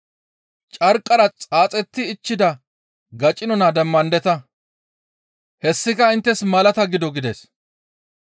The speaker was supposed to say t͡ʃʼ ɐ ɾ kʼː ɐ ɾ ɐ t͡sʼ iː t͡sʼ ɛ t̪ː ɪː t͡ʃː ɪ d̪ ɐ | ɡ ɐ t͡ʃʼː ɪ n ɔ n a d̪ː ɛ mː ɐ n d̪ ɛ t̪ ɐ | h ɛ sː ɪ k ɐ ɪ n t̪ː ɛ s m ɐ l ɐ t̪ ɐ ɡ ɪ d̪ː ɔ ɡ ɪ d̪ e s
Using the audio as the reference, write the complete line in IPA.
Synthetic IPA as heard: t͡ʃʼ ɐ ɾ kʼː ɐ ɾ ɐ t͡sʼ aː t͡sʼ ɛ t̪ː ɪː t͡ʃː ɪ d̪ ɐ | ɡ ɐ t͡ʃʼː ɪ n ɔ n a d̪ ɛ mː ɐ n d̪ ɛ t̪ ɐ | h ɛ sː ɪ k ɐ ɪ n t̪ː ɛ s m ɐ l ɐ t̪ ɐ ɡ ɪ d̪ ɔ ɡ ɪ d̪ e s